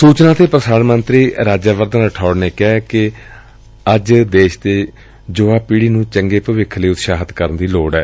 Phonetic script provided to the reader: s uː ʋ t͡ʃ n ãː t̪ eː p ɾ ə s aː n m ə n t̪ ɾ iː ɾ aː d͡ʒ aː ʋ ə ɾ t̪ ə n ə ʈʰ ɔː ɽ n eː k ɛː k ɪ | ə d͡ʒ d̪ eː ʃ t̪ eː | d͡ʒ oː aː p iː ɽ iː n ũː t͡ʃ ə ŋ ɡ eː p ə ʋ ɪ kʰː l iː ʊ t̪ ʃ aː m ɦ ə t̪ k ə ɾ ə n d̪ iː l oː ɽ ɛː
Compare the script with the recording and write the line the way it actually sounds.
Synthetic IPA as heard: s uː t͡ʃ n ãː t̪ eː p ɾ ə s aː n m ə n t̪ ɾ iː ɾ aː d͡ʒ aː ʋ ə ɾ d̪ ə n ə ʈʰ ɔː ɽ n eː k ɛː k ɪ | ə d͡ʒ d̪ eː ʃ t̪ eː | d͡ʒ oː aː p iː ɽ iː n ũː t͡ʃ ə ŋ ɡ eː p ə ʋ ɪ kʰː l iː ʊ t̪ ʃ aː ɦ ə t̪ k ə ɾ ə n d̪ iː l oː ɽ ɛː